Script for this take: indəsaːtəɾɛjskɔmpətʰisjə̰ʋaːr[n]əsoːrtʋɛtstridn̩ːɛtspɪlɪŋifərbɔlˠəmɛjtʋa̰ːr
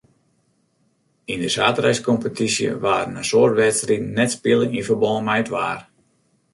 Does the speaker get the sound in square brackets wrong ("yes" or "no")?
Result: no